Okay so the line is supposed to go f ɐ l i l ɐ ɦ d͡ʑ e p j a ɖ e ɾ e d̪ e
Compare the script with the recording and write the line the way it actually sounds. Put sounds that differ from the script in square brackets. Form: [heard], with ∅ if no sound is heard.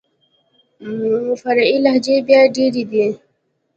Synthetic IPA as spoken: f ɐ [ɾ] i l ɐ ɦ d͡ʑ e [b] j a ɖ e ɾ [i] d̪ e